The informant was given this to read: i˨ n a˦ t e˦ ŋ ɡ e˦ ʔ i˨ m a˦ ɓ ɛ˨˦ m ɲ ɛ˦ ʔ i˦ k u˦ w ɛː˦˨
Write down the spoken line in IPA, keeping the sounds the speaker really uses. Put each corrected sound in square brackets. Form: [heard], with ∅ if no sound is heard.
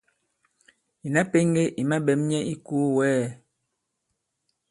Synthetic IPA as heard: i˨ n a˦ [p] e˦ ŋ ɡ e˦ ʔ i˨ m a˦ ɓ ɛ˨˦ m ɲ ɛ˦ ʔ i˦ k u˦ w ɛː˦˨